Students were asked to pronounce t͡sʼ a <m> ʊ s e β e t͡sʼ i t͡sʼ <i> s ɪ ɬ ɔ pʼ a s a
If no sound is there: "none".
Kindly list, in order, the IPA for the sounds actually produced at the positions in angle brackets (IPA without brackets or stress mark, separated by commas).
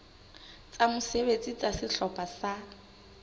m, a